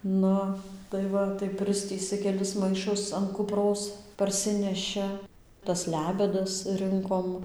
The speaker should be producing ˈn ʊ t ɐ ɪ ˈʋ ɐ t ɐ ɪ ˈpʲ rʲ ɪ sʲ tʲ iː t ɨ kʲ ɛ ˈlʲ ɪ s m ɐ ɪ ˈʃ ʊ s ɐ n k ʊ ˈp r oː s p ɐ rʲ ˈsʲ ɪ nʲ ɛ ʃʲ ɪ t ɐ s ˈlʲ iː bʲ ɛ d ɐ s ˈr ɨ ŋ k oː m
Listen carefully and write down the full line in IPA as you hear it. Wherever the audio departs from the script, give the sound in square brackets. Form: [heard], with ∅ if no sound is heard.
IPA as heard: ˈn ʊ t ɐ ɪ ˈʋ ɐ t ɐ ɪ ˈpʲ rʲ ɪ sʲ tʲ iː [s] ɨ kʲ ɛ ˈlʲ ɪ s m ɐ ɪ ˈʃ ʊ s ɐ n k ʊ ˈp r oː s p ɐ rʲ ˈsʲ ɪ nʲ ɛ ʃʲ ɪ t ɐ s ˈlʲ [æː] bʲ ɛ d ɐ s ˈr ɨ ŋ k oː m